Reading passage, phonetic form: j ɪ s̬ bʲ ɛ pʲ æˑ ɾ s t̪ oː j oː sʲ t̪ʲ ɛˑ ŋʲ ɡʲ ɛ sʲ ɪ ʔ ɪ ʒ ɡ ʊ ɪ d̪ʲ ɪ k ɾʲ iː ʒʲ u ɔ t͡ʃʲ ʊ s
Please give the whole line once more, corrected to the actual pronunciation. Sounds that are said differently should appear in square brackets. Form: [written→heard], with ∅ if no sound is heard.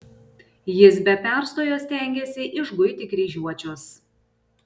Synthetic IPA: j ɪ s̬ bʲ ɛ pʲ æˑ ɾ s t̪ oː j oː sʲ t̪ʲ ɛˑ ŋʲ ɡʲ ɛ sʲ ɪ ʔ ɪ ʒ ɡ ʊ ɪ [d̪ʲ→t̪ʲ] ɪ k ɾʲ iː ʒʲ u ɔ t͡ʃʲ ʊ s